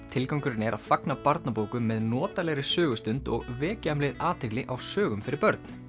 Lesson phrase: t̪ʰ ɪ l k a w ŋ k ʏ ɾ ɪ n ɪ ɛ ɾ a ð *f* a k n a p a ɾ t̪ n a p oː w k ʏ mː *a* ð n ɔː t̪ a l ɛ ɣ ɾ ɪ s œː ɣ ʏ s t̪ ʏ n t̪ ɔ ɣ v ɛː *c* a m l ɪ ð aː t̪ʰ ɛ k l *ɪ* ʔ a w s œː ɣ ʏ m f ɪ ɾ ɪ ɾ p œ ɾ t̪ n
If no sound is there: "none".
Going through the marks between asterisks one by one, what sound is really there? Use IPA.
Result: f, ɛ, c, ɪ

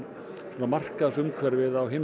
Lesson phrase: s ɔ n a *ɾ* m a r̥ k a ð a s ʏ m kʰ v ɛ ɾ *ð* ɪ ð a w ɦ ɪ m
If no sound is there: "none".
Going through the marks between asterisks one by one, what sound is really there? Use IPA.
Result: none, v

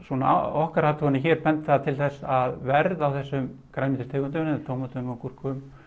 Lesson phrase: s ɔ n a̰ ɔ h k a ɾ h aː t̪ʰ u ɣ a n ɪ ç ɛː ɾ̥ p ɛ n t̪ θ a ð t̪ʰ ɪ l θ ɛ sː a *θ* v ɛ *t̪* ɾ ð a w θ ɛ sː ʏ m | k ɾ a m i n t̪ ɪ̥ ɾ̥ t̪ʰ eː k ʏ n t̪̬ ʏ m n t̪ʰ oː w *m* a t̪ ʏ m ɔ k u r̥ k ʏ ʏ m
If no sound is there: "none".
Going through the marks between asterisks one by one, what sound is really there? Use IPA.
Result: ð, none, m

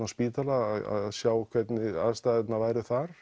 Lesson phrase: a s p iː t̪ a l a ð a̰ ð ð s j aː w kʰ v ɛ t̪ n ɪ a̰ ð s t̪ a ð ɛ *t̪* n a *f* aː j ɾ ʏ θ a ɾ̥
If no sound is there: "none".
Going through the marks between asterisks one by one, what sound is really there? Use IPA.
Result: t̪, v

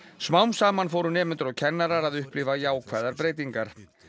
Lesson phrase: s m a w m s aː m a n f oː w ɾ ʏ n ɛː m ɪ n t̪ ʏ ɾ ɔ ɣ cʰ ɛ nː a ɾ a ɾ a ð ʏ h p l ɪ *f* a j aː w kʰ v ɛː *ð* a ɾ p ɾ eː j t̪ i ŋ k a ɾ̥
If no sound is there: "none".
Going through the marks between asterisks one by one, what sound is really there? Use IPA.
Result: v, ð

